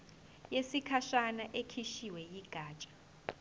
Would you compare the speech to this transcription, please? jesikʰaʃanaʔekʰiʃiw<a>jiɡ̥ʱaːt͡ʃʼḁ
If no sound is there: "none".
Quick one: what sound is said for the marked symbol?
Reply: ɛ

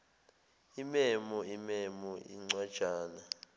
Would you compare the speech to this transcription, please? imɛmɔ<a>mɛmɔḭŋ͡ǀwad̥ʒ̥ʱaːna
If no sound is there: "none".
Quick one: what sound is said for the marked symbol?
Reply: i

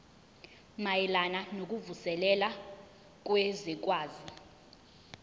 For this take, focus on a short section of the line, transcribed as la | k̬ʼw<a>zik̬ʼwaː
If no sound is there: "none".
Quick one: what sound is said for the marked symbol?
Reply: e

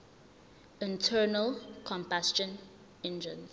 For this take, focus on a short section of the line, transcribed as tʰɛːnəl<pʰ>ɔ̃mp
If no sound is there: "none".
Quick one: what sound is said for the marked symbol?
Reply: kʰ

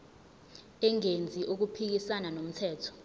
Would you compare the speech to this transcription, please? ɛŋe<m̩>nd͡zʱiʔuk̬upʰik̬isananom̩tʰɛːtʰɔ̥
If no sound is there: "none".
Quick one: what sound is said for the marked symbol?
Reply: none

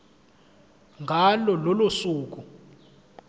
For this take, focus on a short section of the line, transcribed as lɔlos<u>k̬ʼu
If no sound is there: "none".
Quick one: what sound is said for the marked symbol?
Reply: uː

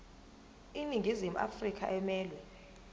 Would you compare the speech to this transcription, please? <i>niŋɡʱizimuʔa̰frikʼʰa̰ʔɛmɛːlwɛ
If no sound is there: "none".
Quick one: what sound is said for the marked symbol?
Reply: i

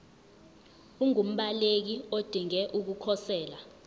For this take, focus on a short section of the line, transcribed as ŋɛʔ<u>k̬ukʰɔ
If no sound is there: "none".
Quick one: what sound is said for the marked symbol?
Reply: u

